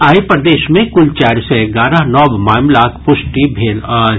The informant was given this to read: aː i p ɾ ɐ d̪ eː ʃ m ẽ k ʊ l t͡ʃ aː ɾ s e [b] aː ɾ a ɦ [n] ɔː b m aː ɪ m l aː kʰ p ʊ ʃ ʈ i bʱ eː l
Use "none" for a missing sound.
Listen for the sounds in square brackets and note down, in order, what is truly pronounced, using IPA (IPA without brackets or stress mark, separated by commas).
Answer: ɡ, n